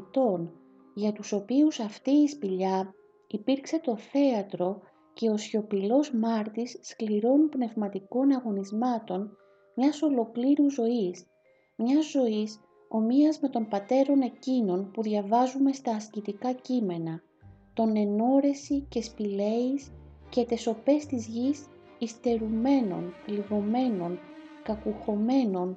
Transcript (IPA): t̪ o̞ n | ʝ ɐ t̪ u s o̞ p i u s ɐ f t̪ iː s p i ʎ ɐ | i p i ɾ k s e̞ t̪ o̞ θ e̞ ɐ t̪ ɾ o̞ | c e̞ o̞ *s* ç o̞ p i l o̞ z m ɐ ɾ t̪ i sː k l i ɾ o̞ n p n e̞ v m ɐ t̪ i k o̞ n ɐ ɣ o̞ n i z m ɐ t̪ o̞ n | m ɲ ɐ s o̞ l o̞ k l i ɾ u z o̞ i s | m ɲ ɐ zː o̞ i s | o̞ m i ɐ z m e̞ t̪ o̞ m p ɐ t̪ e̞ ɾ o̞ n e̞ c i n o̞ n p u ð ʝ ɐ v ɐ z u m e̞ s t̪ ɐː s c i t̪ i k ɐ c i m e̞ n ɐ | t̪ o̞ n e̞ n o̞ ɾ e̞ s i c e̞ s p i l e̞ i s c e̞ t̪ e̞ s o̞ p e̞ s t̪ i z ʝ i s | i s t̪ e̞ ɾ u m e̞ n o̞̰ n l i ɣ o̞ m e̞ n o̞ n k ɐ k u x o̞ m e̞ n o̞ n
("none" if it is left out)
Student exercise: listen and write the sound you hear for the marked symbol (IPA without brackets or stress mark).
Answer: s